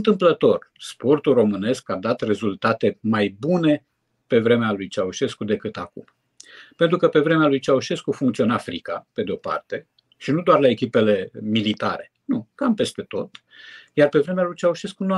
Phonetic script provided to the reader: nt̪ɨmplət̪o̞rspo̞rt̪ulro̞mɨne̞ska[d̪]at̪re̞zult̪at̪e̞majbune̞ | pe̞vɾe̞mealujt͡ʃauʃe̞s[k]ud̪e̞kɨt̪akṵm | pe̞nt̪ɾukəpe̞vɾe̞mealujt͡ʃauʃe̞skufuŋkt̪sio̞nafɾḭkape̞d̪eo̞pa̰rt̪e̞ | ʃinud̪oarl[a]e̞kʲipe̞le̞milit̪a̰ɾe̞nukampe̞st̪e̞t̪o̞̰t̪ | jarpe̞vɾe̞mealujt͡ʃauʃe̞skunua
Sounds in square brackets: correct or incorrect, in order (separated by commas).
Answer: correct, correct, correct